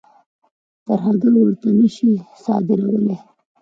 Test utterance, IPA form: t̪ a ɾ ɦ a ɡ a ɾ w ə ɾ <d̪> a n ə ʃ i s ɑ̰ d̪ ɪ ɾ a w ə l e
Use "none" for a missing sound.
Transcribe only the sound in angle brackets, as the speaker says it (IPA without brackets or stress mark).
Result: t̪